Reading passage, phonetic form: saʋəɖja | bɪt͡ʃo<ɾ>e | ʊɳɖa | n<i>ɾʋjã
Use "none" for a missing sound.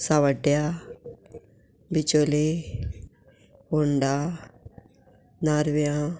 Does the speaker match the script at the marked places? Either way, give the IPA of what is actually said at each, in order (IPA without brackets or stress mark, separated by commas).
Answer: l, a